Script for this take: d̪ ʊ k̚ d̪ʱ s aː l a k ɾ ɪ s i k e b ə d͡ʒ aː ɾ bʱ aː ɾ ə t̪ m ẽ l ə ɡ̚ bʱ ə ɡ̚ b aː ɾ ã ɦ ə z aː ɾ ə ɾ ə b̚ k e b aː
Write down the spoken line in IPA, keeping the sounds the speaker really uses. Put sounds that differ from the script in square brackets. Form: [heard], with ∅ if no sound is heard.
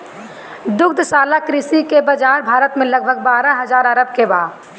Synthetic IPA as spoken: d̪ ʊ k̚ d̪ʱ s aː l a k ɾ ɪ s i k e b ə d͡ʒ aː ɾ bʱ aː ɾ ə t̪ m ẽ l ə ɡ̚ bʱ ə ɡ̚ b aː ɾ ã ɦ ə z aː ɾ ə ɾ ə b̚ k e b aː